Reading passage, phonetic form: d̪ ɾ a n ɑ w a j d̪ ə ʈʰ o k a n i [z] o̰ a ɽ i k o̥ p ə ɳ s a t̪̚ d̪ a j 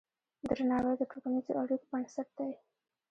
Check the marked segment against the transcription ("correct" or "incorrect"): correct